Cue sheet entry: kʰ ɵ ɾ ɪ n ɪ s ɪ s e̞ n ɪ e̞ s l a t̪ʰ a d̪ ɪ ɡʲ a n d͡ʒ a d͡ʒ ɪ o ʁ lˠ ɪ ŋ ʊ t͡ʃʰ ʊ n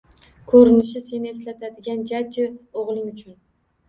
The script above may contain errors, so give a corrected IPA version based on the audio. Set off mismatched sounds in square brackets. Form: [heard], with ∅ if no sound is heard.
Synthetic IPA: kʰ ɵ ɾ ɪ n ɪ [ʃ] ɪ s e̞ n ɪ e̞ s l a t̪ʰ a d̪ ɪ ɡʲ a n d͡ʒ a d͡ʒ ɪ o ʁ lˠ ɪ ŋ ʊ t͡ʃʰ ʊ n